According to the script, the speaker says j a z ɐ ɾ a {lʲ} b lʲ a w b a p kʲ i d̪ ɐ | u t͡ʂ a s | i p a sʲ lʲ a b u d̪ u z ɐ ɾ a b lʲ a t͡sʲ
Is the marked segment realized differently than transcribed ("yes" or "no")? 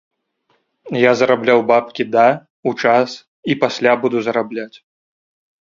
yes